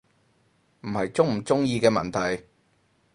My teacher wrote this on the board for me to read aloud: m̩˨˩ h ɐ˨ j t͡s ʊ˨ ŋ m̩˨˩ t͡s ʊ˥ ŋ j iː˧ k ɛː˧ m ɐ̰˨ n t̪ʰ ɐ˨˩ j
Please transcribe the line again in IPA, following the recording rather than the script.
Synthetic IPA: m̩˨˩ h ɐ˨ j t͡s ʊ˥ ŋ m̩˨˩ t͡s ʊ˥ ŋ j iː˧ k ɛː˧ m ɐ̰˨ n t̪ʰ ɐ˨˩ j

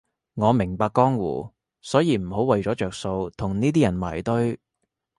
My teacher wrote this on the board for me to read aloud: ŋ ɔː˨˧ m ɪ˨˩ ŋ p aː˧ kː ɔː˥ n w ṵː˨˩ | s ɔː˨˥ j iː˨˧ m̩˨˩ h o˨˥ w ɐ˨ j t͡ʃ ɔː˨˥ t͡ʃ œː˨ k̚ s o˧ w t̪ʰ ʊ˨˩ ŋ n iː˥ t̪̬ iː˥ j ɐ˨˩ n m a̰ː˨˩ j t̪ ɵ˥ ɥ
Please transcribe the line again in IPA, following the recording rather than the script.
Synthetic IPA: ŋ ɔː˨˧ m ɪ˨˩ ŋ p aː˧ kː ɔː˥ ŋ w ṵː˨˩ | s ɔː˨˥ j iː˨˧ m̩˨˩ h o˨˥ w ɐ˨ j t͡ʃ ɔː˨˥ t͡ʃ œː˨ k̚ s o˧ w t̪ʰ ʊ˨˩ ŋ n iː˥ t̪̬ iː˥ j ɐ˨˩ n m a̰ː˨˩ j t̪ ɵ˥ ɥ

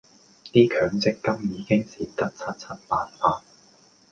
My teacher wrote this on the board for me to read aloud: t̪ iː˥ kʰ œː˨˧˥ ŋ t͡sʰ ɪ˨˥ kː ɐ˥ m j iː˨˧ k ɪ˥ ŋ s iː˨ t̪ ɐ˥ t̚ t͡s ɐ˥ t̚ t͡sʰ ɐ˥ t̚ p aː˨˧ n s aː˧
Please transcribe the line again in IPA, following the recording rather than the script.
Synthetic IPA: t̪ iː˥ kʰ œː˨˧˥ ŋ t͡s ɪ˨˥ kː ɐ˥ m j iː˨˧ k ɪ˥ ŋ s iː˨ t̪ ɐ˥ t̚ t͡sʰ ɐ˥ t̚ t͡sʰ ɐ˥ t̚ p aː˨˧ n f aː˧

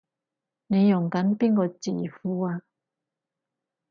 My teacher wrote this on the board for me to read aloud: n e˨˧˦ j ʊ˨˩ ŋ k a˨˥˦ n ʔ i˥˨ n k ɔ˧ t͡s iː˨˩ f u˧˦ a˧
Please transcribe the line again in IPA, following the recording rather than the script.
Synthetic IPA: n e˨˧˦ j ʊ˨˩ ŋ k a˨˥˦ n p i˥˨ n k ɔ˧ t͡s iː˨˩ f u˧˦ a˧

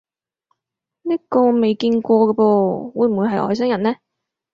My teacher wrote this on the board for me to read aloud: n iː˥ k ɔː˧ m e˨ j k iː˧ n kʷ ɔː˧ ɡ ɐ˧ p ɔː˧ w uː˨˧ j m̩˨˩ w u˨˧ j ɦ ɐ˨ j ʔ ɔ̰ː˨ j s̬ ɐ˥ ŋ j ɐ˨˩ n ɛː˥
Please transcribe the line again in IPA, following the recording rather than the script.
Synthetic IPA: n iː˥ k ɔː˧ m e˨ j k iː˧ n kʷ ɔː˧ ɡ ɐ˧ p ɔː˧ w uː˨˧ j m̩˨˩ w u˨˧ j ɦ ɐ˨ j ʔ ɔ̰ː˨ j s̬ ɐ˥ ŋ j ɐ˨˩ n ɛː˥

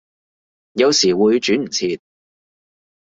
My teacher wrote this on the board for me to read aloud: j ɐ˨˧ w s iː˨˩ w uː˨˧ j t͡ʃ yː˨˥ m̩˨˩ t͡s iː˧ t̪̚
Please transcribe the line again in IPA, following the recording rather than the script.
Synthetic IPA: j ɐ˨˧ w s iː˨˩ w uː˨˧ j t͡ʃ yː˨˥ m̩˨˩ t͡sʰ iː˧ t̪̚

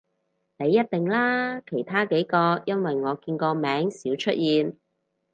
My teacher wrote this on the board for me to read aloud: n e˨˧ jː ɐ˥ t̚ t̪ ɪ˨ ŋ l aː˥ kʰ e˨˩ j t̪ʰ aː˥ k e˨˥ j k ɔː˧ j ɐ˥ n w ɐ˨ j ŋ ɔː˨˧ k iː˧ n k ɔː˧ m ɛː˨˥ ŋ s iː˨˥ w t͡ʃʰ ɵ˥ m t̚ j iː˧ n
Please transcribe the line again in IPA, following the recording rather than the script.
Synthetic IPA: n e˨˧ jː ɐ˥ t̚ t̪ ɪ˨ ŋ l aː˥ kʰ e˨˩ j t̪ʰ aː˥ k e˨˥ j k ɔː˧ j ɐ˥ n w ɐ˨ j ŋ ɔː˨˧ k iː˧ n k ɔː˧ m ɛː˨˥ ŋ s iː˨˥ w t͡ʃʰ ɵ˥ t̚ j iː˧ n

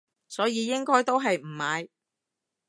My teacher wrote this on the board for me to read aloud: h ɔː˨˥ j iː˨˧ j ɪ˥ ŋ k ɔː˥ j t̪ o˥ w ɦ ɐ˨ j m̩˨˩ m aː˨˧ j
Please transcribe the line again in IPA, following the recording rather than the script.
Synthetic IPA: s ɔː˨˥ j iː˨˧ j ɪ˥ ŋ k ɔː˥ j t̪ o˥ w ɦ ɐ˨ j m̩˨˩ m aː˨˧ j

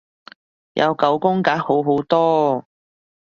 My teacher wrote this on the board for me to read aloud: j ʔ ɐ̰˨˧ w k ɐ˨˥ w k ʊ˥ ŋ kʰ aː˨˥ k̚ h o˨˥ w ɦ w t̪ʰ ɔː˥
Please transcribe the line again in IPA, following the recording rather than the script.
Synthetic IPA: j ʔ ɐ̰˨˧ w k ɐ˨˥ w k ʊ˥ ŋ k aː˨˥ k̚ h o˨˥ w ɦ w t̪ ɔː˥

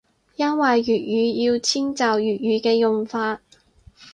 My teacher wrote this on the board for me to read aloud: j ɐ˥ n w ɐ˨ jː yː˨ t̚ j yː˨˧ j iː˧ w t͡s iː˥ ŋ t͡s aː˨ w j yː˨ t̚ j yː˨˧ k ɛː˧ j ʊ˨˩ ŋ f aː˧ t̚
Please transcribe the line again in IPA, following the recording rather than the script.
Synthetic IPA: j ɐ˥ n w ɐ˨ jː yː˨ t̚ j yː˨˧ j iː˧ w t͡sʰ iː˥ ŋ t͡s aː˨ w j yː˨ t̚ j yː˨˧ k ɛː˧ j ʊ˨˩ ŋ f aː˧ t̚

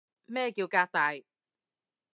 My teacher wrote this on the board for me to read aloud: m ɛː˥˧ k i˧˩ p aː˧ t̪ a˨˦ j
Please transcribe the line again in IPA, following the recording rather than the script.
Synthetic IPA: m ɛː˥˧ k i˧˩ k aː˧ t̪ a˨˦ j

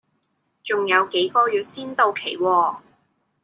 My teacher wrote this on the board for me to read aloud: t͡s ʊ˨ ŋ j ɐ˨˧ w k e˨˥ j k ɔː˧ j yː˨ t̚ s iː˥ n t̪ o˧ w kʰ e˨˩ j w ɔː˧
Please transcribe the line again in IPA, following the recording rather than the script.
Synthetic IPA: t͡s ʊ˨ ŋ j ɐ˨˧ w k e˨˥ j k ɔː˧ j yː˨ t̚ s iː˥ n t̪ o˧ w kʰ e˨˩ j w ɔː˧

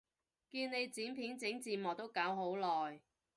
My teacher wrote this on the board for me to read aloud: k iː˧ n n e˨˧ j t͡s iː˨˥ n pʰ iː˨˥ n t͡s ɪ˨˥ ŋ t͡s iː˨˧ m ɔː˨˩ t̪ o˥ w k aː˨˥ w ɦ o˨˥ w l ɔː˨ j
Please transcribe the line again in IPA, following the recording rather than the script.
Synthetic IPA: k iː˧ n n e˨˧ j t͡s iː˨˥ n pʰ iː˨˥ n t͡s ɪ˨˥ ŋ t͡s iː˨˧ m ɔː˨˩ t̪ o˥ w k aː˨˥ w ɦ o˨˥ w l ɔː˨ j

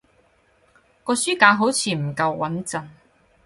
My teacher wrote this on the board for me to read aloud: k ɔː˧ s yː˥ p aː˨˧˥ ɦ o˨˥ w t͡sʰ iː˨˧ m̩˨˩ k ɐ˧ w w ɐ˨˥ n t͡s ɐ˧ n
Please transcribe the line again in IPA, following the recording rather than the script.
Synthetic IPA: k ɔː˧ s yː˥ k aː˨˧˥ ɦ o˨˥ w t͡sʰ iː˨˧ m̩˨˩ k ɐ˧ w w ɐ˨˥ n t͡s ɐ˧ n

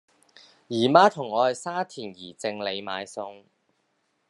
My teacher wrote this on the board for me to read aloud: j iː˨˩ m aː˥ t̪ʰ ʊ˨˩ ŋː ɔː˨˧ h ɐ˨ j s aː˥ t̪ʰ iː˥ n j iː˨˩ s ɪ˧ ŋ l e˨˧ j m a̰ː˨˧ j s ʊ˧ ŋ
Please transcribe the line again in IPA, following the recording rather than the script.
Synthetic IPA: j iː˨˩ m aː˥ t̪ʰ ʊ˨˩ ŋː ɔː˨˧ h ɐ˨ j s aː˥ t̪ʰ iː˨˩ n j iː˨˩ t͡s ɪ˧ ŋ l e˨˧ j m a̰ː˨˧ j s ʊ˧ ŋ

